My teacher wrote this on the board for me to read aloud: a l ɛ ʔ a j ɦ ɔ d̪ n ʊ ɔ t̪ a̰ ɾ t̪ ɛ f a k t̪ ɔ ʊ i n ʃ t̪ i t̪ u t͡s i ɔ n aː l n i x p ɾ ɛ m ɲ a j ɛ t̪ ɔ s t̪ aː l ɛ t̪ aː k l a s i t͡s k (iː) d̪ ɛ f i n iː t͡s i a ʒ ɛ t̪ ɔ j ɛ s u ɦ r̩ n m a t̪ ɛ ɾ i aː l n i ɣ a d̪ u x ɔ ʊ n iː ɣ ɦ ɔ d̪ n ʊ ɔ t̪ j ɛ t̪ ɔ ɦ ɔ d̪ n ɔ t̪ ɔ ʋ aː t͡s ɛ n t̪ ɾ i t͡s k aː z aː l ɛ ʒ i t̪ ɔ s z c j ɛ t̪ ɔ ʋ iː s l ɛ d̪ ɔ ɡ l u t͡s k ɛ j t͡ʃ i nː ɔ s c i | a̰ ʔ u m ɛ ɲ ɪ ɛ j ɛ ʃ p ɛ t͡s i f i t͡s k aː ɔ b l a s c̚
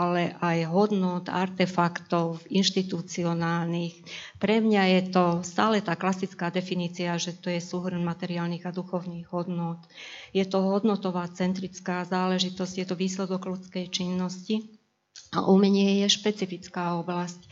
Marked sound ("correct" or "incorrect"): incorrect